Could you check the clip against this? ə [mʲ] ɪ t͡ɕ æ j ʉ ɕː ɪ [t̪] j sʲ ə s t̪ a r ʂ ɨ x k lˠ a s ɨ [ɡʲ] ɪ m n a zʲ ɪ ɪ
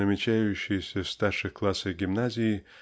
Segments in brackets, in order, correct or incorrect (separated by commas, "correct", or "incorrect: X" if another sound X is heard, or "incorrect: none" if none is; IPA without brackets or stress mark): correct, incorrect: none, correct